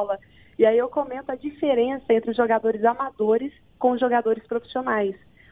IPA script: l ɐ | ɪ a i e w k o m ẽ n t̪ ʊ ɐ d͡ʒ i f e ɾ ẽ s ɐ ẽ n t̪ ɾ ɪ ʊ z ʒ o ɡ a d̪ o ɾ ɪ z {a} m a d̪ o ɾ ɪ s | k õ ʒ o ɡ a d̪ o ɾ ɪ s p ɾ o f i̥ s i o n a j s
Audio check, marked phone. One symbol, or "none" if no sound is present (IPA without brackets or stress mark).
a